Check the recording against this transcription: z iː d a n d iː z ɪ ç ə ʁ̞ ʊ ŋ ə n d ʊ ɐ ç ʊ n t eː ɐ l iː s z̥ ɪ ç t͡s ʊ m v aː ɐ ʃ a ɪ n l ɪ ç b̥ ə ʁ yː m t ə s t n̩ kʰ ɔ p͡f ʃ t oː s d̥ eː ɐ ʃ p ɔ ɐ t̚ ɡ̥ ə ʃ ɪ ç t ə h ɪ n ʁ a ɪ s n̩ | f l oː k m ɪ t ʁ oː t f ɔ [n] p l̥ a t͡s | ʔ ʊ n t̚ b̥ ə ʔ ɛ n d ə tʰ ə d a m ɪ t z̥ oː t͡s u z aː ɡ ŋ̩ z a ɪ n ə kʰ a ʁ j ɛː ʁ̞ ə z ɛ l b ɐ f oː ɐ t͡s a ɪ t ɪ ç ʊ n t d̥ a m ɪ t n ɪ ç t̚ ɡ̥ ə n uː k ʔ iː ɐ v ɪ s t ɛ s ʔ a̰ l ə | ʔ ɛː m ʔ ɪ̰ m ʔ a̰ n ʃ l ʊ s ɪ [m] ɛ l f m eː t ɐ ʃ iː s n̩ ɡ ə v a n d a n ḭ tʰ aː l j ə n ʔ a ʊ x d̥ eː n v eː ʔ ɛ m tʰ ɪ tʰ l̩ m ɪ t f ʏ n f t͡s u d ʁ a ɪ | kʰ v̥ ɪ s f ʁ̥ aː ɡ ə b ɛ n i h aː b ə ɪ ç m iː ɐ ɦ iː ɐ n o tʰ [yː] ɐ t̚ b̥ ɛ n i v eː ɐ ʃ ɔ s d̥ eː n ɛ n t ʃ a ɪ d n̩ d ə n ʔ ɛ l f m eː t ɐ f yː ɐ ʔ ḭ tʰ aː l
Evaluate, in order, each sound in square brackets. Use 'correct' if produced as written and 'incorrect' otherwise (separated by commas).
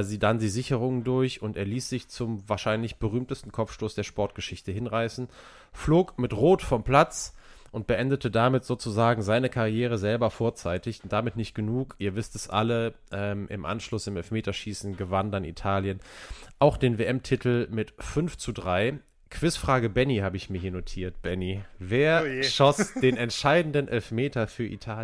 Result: incorrect, correct, incorrect